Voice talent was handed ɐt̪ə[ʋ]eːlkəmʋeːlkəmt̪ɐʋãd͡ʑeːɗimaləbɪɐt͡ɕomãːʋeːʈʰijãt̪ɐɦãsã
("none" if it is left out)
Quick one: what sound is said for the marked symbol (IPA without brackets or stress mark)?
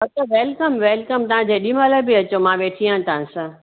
ʋ